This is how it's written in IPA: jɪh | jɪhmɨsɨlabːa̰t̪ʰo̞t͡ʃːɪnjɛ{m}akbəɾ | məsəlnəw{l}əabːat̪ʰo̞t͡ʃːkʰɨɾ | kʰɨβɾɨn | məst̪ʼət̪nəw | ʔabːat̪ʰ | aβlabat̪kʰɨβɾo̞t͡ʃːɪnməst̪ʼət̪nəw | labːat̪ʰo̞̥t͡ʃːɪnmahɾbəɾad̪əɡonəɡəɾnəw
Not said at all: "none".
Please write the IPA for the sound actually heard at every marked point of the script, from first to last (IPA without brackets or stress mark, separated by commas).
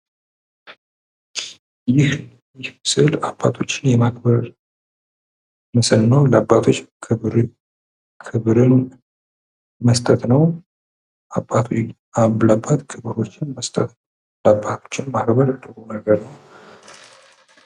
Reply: m, l